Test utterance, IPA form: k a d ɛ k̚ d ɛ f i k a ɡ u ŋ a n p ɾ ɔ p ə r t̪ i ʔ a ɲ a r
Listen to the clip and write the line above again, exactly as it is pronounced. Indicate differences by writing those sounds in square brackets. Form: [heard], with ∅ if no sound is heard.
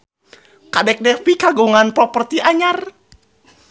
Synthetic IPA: k a d ɛ k̚ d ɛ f i k a ɡ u ŋ a n p ɾ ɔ p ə r t̪ i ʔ a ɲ a r